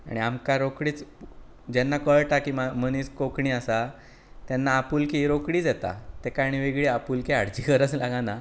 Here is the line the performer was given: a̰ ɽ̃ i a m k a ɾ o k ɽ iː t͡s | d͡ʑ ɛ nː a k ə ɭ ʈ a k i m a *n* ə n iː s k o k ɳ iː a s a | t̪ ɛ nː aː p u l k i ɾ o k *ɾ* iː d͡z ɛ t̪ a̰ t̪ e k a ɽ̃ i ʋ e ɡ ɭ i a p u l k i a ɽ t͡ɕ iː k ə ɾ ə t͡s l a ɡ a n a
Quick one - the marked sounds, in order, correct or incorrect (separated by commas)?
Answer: incorrect, incorrect